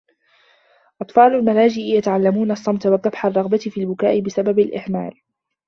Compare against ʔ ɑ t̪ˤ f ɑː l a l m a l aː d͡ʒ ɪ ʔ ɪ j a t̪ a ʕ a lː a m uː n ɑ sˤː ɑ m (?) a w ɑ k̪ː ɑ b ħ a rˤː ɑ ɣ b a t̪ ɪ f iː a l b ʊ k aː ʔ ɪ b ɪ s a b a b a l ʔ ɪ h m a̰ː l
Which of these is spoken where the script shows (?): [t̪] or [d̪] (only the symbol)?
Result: t̪